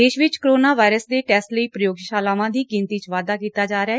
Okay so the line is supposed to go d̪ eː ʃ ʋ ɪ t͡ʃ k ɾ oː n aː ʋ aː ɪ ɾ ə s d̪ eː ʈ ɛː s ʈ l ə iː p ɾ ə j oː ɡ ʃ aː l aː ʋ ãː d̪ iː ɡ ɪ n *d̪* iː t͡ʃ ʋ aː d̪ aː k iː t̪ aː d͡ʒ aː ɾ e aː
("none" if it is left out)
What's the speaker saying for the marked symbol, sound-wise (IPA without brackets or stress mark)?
t̪